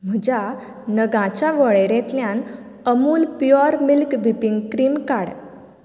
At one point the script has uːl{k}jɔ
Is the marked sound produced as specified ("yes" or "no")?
no